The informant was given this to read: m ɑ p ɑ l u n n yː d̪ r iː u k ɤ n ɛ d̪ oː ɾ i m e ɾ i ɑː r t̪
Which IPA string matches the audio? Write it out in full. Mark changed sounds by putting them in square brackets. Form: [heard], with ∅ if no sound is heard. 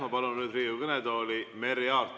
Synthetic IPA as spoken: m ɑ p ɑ l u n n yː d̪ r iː u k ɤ n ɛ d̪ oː [l] i m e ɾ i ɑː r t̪